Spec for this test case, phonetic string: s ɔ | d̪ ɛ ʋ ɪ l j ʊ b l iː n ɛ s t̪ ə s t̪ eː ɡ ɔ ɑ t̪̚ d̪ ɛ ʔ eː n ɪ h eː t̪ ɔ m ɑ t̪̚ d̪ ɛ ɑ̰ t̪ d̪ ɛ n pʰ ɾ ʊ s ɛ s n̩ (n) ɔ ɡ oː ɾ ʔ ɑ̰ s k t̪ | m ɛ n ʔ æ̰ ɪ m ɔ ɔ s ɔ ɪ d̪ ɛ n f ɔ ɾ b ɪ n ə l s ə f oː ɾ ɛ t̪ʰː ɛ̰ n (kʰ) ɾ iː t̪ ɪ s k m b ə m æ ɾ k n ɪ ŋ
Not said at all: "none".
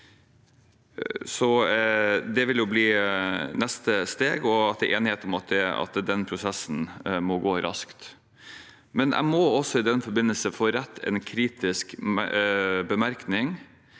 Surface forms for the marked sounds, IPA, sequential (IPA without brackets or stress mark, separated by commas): m, kʰ